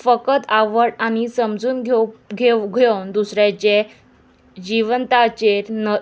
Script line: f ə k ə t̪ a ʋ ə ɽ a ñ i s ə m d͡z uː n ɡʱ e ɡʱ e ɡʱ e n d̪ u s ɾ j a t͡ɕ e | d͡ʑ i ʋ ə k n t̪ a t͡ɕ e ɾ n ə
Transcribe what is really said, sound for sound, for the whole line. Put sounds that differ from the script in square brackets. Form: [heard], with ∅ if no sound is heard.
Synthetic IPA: f ə k ə t̪ a ʋ ə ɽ a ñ i s ə m d͡z uː n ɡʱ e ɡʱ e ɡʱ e n d̪ u s ɾ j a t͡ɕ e | d͡ʑ i ʋ ə [∅] n t̪ a t͡ɕ e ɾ n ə